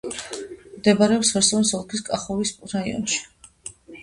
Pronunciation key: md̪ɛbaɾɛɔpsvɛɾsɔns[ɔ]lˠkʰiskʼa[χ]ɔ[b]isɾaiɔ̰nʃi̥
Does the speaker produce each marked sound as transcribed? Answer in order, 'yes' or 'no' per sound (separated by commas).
yes, yes, no